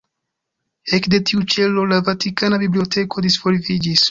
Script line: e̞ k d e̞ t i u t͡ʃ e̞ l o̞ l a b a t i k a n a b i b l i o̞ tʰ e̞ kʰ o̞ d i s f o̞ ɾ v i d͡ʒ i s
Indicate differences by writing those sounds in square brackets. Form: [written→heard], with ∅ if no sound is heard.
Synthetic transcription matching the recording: e̞ k d e̞ t i u t͡ʃ e̞ l o̞ l a [b→v] a t i k a n a b i b l i o̞ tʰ e̞ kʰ o̞ d i s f o̞ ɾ v i d͡ʒ i s